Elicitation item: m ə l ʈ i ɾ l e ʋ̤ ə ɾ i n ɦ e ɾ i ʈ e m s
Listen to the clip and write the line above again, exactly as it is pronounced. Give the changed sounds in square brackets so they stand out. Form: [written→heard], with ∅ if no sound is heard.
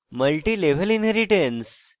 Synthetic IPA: m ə l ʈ i [ɾ→∅] l e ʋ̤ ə [ɾ→l] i n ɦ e ɾ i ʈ e [m→n] s